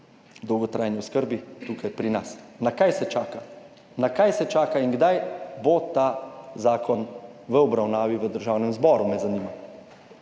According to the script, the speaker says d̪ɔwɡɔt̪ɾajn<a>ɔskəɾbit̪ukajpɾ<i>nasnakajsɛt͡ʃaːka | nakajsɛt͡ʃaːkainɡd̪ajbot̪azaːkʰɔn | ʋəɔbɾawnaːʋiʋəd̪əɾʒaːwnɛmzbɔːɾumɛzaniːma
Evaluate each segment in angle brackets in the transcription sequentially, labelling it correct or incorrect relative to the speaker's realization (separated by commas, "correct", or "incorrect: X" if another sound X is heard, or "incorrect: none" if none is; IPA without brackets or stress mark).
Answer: incorrect: i, correct